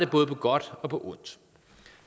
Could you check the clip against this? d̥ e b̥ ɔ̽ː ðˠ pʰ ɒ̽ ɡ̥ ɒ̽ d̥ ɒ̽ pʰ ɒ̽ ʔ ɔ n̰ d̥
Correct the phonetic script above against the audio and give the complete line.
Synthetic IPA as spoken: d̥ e b̥ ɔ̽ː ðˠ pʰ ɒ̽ ɡ̥ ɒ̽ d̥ ɒ̽ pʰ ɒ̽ ʔ ɔ n̰ d̥